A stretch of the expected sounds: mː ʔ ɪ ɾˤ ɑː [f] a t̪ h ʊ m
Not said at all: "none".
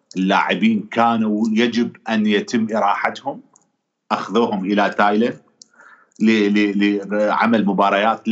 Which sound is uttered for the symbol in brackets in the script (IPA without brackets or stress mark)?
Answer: ħ